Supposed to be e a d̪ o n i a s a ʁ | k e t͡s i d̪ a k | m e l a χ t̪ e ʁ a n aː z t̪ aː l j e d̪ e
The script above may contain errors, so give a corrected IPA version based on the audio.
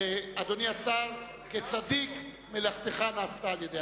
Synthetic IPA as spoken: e a d̪ o n i a s a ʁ | k e t͡s a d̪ i k | m e l a χ t̪ e χ a n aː s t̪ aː l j e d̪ e